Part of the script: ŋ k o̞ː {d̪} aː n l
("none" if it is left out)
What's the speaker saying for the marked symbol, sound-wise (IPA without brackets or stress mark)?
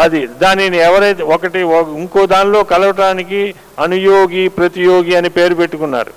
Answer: d̪